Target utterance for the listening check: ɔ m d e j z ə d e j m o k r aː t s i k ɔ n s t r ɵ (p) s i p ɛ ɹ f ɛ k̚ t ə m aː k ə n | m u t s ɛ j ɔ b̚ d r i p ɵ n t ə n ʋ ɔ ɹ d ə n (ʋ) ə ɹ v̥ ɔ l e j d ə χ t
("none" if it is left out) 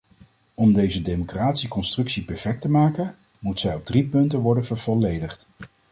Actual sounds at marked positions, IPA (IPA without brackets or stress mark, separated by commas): k, v